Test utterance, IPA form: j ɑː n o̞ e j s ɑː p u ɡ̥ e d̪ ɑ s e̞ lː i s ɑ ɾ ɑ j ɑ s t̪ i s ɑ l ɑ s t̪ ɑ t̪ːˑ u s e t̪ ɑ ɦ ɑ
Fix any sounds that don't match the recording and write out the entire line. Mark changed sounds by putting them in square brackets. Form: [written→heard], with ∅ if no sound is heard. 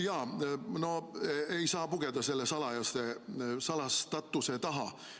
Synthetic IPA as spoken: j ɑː n o̞ e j s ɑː p u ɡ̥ e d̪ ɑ s e̞ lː [i→e] s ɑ [ɾ→l] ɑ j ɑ s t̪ [i→e] s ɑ l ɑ s t̪ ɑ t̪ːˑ u s e t̪ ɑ ɦ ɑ